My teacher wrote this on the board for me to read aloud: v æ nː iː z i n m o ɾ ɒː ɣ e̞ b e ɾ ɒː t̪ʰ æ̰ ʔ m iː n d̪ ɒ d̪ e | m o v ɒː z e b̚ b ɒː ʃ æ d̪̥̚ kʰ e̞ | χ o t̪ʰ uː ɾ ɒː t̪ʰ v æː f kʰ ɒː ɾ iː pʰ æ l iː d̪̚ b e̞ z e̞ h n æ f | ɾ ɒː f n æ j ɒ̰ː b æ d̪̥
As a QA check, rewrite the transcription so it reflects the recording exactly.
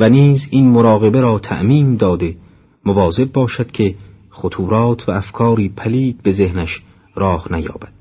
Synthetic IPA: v æ n iː z i n m o ɾ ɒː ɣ e̞ b e ɾ ɒː t̪ʰ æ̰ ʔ m iː n d̪ ɒː d̪ e | m o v ɒː z e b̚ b ɒː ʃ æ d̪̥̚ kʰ e̞ | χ o t̪ʰ uː ɾ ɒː t̪ʰ v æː f kʰ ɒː ɾ iː pʰ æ l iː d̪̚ b e̞ z e̞ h n æ ʃ | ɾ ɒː h n æ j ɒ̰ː b æ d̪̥